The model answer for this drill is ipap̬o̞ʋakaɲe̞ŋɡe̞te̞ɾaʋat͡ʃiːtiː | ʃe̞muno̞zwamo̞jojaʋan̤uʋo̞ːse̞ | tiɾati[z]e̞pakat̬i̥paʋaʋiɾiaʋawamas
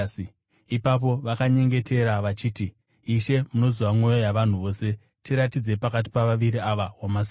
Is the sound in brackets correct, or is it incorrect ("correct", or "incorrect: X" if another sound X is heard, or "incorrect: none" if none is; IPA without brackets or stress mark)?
incorrect: d͡z